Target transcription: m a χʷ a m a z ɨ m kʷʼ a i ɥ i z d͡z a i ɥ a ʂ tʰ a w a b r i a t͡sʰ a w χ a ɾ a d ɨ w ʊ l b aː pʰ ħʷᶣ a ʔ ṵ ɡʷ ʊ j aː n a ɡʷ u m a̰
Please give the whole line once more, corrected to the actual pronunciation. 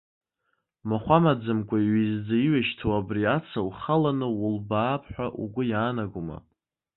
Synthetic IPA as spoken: m a χʷ a m a d͡z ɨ m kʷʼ a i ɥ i z d͡z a i ɥ a ʃ tʰ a w a b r i a t͡sʰ a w χ a l a n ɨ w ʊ l b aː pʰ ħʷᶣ a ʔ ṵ ɡʷ ʊ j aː n a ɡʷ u m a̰